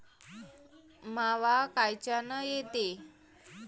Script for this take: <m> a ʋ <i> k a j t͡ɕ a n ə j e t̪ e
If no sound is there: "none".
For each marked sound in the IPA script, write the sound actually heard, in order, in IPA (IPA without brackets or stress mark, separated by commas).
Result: m, a